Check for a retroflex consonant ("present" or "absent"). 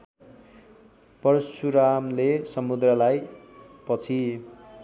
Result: absent